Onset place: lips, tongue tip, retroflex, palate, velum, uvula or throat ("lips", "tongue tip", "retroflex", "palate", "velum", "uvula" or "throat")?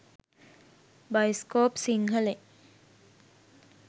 lips